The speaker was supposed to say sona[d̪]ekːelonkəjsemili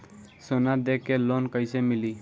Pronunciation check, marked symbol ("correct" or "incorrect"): correct